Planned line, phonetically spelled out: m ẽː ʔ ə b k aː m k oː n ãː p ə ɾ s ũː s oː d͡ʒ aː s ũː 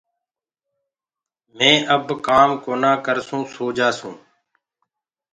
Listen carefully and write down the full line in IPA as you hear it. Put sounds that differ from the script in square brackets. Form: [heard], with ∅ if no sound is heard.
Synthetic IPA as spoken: m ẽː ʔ ə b k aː m k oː n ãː [k] ə ɾ s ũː s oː d͡ʒ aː s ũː

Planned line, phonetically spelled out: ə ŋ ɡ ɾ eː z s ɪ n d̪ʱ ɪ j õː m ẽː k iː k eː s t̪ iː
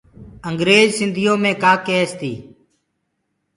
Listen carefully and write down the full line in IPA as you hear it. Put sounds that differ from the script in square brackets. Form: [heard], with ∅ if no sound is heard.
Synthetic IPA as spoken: ə ŋ ɡ ɾ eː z s ɪ n d̪ʱ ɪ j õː m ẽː k [aː] k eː s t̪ iː

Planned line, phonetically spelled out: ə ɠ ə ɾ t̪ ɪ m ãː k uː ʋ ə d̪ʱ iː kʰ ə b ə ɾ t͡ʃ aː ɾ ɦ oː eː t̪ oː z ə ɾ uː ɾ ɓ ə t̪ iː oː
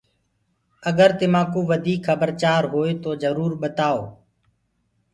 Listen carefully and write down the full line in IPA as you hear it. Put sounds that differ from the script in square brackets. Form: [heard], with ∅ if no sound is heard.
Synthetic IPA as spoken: ə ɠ ə ɾ t̪ ɪ m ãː k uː ʋ ə d̪ʱ iː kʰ ə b ə ɾ t͡ʃ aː ɾ ɦ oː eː t̪ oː z ə ɾ uː ɾ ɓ ə t̪ [aː] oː

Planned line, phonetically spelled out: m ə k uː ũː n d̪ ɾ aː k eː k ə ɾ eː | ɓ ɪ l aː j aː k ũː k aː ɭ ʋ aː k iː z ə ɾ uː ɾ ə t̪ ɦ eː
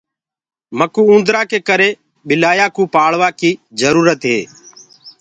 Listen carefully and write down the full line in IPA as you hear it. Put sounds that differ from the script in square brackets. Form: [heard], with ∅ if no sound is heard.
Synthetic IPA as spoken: m ə k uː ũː n d̪ ɾ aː k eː k ə ɾ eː | ɓ ɪ l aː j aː k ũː [p] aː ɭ ʋ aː k iː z ə ɾ uː ɾ ə t̪ ɦ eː

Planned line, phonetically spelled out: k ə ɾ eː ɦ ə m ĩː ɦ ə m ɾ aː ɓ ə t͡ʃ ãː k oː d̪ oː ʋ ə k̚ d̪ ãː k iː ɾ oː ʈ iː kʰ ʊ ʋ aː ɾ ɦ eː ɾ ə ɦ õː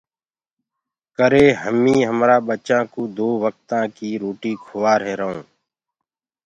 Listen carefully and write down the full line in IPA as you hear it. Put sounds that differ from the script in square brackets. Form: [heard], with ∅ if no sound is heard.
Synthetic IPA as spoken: k ə ɾ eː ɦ ə m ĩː ɦ ə m ɾ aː ɓ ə t͡ʃ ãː k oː d̪ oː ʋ ə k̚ [t̪] ãː k iː ɾ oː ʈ iː kʰ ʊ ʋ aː ɾ ɦ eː ɾ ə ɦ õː

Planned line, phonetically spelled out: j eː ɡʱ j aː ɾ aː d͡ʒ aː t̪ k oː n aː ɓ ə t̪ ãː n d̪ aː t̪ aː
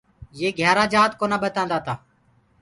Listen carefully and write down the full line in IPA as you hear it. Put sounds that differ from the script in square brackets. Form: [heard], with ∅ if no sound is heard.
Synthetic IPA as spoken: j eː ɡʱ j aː ɾ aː d͡ʒ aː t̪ k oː n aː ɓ ə t̪ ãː n d̪ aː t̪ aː

